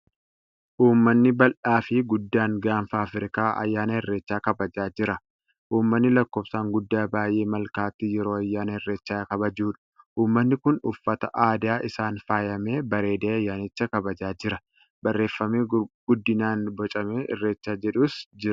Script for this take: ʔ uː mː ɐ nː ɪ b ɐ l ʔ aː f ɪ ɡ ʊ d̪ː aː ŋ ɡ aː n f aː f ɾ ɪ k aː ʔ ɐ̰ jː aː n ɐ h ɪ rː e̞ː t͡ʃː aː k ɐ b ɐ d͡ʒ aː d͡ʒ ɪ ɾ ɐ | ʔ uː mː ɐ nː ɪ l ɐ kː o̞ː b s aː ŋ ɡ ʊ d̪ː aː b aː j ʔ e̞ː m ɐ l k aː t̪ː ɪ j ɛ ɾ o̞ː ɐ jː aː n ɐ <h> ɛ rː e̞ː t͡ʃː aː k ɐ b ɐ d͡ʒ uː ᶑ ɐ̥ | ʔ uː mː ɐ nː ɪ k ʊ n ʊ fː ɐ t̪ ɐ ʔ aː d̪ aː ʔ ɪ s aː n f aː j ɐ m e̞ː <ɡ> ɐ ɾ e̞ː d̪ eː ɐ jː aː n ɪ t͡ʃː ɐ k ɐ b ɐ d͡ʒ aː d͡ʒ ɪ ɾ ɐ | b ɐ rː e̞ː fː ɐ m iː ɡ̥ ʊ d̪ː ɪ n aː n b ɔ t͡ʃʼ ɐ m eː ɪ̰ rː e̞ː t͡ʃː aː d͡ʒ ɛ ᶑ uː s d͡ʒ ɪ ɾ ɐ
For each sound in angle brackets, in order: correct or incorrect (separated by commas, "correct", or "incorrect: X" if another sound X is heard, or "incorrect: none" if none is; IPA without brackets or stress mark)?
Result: correct, incorrect: b